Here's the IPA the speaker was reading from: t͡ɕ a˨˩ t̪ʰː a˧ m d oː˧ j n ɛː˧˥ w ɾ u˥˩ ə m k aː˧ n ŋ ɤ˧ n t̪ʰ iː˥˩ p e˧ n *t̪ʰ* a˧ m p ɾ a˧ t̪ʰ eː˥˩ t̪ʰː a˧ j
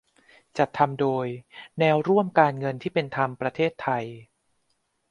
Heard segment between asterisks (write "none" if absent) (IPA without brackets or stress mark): t̪ʰ